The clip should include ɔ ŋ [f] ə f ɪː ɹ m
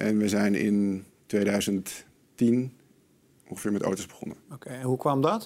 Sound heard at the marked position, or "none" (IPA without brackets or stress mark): χ